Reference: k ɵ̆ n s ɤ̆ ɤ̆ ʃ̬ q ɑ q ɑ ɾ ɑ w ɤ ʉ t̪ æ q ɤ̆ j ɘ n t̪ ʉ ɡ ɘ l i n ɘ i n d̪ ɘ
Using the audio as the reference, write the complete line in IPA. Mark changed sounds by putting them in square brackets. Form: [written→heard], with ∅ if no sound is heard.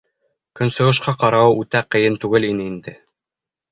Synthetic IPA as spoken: k ɵ̆ n s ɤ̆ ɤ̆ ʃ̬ q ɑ q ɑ ɾ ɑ w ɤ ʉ t̪ æ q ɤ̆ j ɘ n t̪ ʉ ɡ ɘ l i n ɘ i n d̪ ɘ